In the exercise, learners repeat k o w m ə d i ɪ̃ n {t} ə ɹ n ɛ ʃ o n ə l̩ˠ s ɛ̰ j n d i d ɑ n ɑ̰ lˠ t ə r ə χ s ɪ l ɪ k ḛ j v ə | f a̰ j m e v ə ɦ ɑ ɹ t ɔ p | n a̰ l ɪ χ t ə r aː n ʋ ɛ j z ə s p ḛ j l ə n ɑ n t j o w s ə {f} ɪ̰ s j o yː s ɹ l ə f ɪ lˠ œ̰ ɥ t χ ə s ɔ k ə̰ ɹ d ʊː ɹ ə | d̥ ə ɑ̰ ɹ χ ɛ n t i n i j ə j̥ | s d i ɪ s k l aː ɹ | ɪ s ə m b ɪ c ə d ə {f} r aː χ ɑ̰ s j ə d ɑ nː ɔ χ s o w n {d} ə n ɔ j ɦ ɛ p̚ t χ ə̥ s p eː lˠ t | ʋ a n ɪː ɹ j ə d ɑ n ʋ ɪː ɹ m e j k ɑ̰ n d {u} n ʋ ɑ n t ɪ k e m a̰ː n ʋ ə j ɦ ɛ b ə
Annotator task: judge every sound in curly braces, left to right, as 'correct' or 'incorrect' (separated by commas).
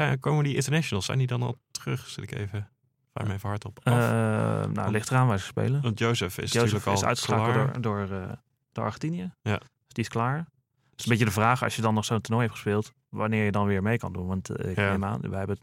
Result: correct, correct, incorrect, incorrect, correct